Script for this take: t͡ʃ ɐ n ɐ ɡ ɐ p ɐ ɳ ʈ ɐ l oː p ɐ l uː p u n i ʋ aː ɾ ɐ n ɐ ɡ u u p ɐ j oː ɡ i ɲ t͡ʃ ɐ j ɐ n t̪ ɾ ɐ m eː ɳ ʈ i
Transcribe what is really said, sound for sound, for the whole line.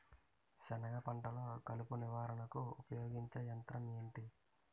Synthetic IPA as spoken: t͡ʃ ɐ n ɐ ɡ ɐ p ɐ ɳ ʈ ɐ l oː k ɐ l u p u n i ʋ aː ɾ ɐ n ɐ k u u p ɐ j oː ɡ i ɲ t͡ʃ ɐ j ɐ n t̪ ɾ ɐ m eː ɳ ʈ i